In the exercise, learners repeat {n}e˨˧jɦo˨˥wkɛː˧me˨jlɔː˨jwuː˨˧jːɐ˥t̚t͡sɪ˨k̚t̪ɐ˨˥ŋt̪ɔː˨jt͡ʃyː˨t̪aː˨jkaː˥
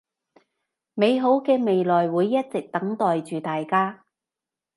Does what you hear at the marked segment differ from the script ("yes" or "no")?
yes